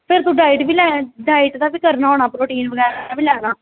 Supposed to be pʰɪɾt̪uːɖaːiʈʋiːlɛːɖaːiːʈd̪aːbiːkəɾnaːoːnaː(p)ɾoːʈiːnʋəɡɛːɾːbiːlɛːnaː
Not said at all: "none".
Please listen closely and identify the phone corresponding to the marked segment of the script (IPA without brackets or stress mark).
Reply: p